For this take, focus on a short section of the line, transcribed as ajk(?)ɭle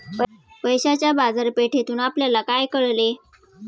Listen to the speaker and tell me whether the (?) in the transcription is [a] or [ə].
ə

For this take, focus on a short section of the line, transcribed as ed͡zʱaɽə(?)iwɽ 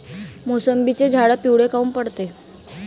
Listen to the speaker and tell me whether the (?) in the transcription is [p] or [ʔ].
p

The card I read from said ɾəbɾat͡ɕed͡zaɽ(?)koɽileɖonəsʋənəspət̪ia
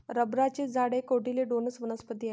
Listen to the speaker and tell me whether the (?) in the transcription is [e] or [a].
e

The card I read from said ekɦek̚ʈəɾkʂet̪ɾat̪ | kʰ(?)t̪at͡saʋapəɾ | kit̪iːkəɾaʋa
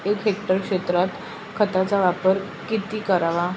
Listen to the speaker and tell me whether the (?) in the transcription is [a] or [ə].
ə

